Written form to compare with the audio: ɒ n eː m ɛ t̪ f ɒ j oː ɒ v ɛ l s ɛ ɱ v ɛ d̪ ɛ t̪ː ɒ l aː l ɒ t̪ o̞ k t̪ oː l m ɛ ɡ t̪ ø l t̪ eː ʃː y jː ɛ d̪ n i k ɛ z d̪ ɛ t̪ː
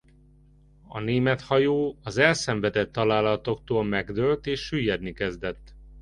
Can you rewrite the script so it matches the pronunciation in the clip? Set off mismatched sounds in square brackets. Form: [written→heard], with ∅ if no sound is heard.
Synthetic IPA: ɒ n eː m ɛ t̪ [f→h] ɒ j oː ɒ [v→z] ɛ l s ɛ ɱ v ɛ d̪ ɛ t̪ː ɒ l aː l ɒ t̪ o̞ k t̪ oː l m ɛ ɡ [t̪→d̪] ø l t̪ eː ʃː y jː ɛ d̪ n i k ɛ z d̪ ɛ t̪ː